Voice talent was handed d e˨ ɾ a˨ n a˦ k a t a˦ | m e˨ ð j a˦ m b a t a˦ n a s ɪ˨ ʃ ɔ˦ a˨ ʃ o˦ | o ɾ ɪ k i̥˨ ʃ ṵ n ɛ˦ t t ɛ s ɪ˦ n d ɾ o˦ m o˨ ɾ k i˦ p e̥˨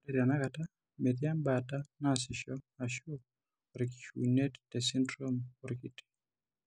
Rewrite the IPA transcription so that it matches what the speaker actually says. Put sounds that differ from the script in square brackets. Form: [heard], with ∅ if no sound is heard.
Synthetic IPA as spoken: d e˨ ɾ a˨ n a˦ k a t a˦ | m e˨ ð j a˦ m b a t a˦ n a s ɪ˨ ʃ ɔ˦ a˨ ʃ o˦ | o ɾ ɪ k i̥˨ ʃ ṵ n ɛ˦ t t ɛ s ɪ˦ n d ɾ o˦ m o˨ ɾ k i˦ [t] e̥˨